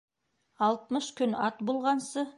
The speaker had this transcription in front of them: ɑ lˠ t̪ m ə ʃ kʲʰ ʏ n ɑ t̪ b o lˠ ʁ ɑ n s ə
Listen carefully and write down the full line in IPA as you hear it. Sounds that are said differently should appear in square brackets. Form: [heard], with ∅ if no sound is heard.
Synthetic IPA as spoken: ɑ lˠ t̪ m ə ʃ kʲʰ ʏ n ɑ t̪ b o lˠ ʁ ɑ n s ə